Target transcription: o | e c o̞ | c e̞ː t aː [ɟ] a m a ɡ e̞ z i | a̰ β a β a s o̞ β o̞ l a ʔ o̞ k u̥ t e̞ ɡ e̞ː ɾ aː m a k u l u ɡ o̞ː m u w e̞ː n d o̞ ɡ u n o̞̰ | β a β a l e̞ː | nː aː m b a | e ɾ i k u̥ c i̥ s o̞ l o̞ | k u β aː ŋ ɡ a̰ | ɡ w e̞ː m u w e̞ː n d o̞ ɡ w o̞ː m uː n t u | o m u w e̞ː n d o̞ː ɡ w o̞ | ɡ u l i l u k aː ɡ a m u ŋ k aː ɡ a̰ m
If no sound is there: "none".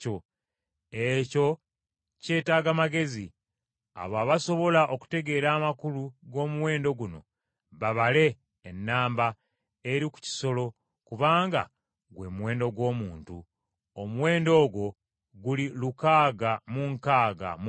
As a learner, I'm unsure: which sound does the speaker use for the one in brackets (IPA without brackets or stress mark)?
ɡ